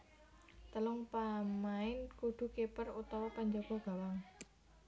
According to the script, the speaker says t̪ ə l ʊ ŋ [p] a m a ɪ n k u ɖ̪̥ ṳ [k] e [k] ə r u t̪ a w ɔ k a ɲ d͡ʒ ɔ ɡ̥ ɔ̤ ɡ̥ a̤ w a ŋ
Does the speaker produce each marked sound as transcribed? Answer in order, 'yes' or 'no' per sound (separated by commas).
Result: yes, yes, no